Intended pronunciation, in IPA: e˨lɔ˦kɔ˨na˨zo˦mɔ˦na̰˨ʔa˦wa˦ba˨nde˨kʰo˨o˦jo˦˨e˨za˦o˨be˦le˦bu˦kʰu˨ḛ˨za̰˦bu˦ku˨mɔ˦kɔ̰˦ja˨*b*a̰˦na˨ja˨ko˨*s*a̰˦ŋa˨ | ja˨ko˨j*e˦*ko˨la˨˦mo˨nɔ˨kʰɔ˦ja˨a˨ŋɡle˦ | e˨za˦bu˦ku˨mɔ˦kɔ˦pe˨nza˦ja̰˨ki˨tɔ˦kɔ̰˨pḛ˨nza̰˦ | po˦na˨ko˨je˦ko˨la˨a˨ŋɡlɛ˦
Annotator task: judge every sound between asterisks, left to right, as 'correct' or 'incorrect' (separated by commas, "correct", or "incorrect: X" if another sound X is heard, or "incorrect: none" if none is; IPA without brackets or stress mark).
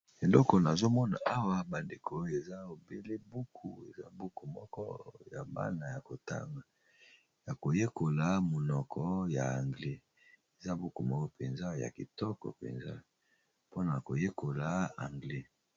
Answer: correct, incorrect: t, correct